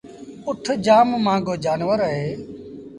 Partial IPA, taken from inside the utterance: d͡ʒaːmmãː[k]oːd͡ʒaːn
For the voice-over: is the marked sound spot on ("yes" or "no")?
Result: no